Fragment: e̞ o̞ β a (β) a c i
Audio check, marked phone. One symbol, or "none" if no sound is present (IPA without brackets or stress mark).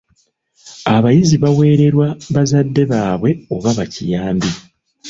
β